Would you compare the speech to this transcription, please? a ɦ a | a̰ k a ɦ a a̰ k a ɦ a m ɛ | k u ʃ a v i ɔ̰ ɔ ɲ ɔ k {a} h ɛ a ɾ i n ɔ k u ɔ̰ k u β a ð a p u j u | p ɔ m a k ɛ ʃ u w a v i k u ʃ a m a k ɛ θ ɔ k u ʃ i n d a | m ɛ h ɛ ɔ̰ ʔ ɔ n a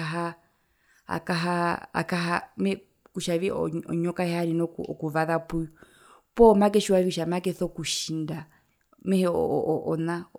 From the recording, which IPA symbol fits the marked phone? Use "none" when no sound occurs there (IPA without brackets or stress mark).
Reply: a